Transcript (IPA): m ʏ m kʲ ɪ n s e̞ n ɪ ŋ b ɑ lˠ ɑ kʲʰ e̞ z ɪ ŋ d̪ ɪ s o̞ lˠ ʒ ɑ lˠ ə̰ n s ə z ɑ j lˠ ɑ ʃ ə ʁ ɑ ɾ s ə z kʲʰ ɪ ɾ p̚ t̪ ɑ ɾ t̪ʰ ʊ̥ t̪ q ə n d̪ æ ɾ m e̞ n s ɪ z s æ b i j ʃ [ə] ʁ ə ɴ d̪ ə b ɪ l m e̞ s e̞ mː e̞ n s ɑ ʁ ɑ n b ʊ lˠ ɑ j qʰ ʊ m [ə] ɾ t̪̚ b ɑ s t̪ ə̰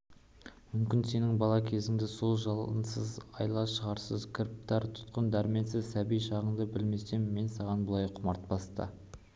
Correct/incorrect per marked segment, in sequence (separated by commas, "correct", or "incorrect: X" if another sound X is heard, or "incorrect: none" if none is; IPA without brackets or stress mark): incorrect: ɑ, incorrect: ɑ